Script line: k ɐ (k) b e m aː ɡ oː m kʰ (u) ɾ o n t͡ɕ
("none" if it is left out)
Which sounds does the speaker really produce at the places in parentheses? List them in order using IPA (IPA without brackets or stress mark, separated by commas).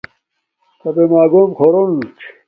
none, o